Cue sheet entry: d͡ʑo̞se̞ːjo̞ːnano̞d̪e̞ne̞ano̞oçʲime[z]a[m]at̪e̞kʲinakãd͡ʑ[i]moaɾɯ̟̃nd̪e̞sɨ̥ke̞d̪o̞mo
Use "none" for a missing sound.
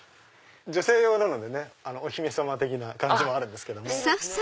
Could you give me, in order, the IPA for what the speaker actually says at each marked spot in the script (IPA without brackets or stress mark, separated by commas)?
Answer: s, m, i